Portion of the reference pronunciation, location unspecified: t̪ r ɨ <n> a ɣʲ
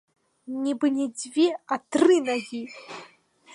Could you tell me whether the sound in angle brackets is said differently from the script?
no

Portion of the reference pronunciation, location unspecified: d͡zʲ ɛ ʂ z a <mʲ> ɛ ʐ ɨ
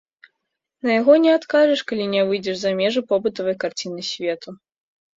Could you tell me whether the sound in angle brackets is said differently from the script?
no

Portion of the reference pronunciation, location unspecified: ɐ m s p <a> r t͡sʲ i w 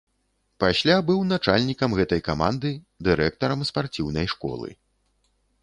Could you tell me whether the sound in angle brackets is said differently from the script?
no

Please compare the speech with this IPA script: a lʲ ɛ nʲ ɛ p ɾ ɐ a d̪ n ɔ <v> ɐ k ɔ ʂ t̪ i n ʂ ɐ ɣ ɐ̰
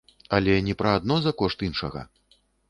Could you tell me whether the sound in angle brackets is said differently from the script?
yes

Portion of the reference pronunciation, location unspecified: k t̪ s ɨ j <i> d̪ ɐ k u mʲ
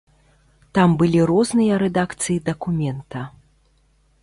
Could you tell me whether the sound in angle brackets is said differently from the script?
no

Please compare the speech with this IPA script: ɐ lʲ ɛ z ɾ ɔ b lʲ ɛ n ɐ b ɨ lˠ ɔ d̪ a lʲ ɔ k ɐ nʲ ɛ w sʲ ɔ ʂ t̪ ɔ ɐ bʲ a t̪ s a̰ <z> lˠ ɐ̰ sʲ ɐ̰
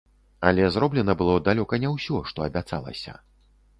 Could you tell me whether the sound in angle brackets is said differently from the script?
yes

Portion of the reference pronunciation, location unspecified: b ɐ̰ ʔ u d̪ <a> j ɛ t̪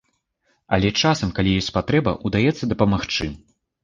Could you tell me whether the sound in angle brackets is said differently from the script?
no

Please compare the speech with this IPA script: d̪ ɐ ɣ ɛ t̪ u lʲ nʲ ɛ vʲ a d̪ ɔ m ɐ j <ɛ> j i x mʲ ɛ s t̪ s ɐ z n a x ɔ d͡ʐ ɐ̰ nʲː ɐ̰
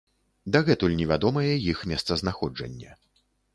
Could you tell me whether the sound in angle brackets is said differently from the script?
no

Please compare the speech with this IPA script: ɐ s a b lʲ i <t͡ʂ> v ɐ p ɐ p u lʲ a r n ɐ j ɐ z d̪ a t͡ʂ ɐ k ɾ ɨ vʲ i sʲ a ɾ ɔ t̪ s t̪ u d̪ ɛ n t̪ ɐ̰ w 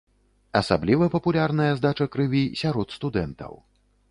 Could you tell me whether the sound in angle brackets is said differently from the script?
yes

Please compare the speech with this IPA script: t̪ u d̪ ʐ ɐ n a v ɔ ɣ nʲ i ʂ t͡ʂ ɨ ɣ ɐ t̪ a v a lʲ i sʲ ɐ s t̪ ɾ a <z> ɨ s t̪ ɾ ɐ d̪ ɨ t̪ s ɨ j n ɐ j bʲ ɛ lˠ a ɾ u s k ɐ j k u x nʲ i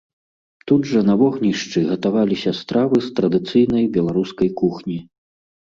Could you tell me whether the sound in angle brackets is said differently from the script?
yes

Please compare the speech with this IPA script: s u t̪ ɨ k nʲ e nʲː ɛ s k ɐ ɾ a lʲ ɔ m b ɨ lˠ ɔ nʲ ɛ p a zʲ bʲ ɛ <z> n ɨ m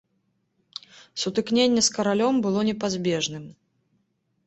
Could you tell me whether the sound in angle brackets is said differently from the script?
yes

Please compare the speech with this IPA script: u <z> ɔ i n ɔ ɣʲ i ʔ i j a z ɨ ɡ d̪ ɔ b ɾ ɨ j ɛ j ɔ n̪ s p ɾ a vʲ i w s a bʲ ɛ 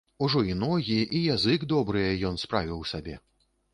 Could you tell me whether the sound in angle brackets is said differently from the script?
yes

